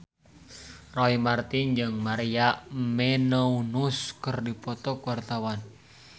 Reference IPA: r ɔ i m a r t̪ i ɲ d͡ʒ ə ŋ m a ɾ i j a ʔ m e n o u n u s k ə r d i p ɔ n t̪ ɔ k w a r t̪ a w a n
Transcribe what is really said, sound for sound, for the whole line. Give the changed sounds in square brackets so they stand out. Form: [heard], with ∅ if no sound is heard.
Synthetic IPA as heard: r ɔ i m a r t̪ i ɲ d͡ʒ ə ŋ m a ɾ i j a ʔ m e n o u n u s k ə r d i p ɔ [∅] t̪ ɔ k w a r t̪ a w a n